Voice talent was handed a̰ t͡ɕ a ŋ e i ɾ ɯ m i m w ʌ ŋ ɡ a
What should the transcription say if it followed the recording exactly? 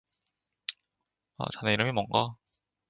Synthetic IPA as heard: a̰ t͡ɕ a n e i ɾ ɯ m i m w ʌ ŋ ɡ a